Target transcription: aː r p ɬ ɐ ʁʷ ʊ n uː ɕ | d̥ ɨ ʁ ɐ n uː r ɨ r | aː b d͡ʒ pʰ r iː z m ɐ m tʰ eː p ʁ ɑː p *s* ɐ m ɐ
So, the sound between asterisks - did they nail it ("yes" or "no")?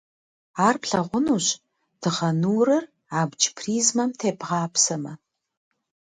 yes